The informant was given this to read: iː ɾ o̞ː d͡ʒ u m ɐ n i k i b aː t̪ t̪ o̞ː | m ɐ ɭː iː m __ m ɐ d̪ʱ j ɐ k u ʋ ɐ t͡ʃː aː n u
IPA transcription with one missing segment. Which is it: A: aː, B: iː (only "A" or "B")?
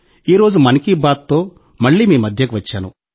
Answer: B